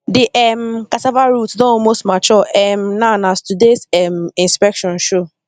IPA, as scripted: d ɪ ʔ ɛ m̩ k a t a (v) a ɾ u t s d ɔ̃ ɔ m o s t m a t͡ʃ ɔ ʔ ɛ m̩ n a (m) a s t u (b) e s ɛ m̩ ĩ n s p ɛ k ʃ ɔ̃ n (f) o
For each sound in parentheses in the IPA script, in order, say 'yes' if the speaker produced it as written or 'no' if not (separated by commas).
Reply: yes, no, no, no